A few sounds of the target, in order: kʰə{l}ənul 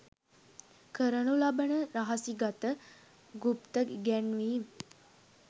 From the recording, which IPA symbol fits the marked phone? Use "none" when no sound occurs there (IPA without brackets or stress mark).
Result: ɾ